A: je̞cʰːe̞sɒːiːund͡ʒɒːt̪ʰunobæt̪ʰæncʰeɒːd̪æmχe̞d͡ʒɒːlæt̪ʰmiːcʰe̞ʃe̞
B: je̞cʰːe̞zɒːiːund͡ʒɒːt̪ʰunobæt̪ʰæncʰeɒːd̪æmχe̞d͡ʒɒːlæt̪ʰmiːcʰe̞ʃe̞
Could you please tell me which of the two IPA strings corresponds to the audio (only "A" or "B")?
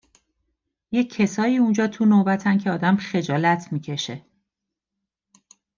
A